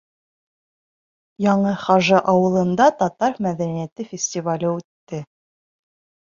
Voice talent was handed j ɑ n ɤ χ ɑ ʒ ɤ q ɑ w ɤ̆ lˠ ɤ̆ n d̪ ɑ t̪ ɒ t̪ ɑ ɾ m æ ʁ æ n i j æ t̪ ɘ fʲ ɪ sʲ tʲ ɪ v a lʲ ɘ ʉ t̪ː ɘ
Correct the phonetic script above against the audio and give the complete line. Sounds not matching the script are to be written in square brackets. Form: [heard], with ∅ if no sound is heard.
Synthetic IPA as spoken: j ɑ [ɴ] ɤ χ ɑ ʒ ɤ [ʔ] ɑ w ɤ̆ lˠ ɤ̆ n d̪ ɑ t̪ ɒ t̪ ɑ ɾ m æ [ð] æ n i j æ t̪ ɘ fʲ ɪ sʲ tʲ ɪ v a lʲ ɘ ʉ t̪ː ɘ